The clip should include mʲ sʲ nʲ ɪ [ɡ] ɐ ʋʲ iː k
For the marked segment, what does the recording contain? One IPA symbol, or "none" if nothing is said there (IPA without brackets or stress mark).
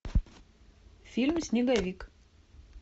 ɡ